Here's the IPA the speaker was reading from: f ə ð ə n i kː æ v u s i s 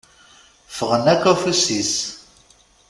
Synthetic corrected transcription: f ə ʁ ə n æ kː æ f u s i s